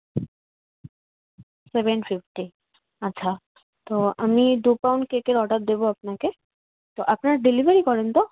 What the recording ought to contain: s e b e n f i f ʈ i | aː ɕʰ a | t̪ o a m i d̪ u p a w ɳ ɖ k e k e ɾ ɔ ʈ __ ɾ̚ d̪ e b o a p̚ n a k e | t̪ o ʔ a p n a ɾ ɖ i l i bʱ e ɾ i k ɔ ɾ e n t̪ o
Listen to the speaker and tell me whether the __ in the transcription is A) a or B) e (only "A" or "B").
A